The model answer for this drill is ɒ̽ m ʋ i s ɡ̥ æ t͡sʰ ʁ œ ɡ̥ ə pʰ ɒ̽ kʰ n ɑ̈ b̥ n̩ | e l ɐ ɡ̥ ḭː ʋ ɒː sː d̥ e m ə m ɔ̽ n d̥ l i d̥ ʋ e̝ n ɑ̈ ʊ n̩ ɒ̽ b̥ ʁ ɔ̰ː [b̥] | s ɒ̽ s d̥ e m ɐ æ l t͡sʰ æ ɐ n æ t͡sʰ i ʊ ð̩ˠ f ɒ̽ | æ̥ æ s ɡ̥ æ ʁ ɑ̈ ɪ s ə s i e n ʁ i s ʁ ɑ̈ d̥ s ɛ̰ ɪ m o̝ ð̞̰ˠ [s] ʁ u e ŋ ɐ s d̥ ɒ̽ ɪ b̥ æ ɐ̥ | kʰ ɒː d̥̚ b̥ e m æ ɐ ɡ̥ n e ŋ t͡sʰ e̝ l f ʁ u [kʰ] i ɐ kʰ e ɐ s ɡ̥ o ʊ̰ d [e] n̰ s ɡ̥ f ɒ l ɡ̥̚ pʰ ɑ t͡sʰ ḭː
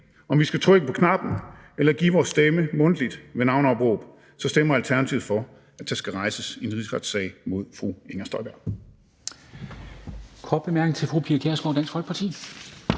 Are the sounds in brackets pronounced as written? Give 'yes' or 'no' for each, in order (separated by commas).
yes, no, no, no